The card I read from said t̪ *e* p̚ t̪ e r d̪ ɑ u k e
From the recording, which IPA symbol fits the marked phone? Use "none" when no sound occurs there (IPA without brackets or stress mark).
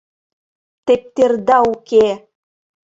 e